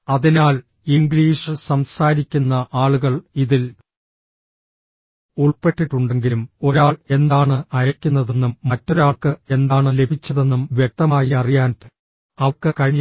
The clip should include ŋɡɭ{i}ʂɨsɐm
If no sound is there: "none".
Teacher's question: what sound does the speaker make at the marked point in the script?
iː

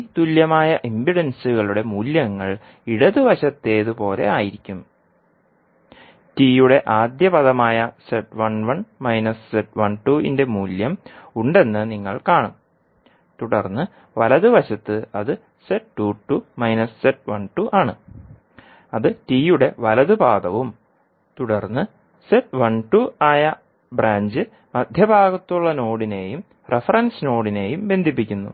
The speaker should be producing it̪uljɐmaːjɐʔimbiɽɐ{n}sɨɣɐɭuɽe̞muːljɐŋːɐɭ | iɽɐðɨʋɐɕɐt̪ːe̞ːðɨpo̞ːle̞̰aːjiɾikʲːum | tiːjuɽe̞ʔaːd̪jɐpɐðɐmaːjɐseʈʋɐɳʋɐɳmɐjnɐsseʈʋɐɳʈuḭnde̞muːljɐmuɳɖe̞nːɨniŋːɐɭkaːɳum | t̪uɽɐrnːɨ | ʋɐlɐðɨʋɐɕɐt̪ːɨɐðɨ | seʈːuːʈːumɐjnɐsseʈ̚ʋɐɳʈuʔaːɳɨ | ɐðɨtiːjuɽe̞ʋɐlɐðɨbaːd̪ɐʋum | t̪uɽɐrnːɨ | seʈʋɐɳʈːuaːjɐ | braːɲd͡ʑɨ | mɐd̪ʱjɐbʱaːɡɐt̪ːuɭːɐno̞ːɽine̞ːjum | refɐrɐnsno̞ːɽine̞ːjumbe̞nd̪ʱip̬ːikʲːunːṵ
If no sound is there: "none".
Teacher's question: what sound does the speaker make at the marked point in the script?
n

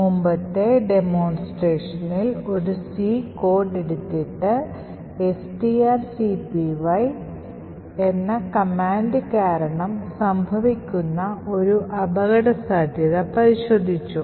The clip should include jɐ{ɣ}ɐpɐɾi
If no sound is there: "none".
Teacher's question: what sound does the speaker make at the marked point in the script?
ð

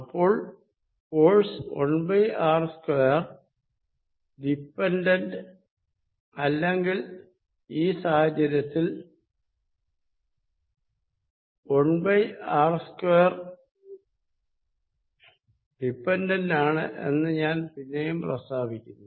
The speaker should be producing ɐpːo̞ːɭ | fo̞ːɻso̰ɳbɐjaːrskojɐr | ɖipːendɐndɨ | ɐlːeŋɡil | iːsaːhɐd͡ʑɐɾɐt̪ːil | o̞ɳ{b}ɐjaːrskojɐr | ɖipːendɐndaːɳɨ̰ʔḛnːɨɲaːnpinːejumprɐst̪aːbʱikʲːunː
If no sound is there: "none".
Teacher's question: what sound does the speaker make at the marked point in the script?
b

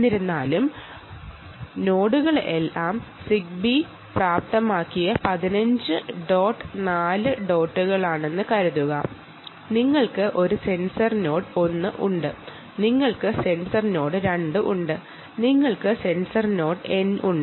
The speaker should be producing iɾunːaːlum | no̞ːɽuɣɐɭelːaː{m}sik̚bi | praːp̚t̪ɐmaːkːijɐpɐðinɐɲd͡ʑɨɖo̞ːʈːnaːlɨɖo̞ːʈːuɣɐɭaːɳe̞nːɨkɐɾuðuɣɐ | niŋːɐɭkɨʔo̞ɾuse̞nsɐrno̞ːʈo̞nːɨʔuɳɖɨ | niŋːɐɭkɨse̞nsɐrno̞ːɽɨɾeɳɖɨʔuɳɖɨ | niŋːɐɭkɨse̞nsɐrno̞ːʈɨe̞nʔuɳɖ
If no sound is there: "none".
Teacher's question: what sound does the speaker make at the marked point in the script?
m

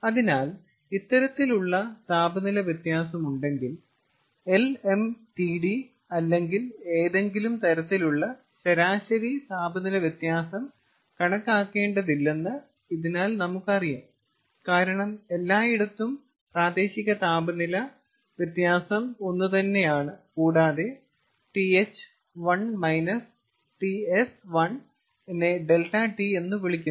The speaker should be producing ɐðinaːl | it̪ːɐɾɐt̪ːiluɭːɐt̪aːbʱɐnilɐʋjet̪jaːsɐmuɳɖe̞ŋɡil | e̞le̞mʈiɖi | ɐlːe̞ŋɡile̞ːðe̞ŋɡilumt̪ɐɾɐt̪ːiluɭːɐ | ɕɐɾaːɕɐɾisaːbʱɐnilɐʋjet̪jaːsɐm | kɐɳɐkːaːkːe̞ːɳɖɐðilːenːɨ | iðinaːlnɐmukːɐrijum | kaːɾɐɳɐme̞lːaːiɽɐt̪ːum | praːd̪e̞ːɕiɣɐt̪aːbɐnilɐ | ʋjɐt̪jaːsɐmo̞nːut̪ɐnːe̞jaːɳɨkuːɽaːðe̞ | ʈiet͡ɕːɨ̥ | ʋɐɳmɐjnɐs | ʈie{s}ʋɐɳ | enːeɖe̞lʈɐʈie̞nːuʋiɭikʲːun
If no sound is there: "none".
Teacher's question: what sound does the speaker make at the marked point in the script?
s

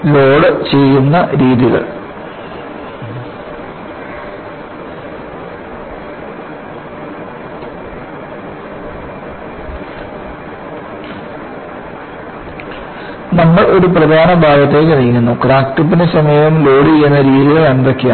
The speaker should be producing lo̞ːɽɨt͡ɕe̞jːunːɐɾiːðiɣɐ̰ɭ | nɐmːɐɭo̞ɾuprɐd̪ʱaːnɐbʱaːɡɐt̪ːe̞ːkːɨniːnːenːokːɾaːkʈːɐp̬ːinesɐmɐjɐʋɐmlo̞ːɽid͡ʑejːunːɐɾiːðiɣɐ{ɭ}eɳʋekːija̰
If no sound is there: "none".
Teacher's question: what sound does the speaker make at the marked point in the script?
ɭ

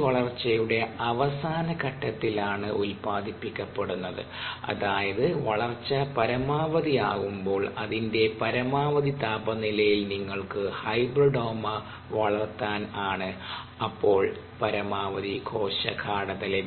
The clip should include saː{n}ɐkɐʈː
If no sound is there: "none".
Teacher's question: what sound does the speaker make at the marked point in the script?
n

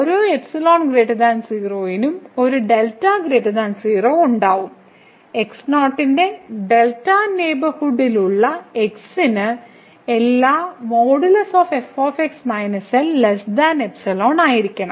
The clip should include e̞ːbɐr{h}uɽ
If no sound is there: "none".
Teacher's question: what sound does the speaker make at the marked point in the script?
h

